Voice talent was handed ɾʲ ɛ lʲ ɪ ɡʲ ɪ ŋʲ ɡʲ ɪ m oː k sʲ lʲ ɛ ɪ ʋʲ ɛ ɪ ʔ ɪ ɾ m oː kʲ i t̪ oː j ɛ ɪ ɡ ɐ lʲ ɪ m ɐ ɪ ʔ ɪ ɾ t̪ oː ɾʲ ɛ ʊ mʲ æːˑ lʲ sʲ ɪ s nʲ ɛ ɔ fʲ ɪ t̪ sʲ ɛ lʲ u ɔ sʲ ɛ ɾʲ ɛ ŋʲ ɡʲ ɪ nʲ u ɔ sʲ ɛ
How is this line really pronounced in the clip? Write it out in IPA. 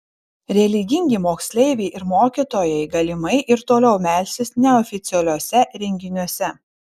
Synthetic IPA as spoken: ɾʲ ɛ lʲ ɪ ɡʲ ɪ ŋʲ ɡʲ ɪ m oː k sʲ lʲ ɛ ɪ ʋʲ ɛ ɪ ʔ ɪ ɾ m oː kʲ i t̪ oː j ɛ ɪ ɡ ɐ lʲ ɪ m ɐ ɪ ʔ ɪ ɾ t̪ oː lʲ ɛ ʊ mʲ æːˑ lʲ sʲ ɪ s nʲ ɛ ɔ fʲ ɪ t̪ sʲ ɛ lʲ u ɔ sʲ ɛ ɾʲ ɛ ŋʲ ɡʲ ɪ nʲ u ɔ sʲ ɛ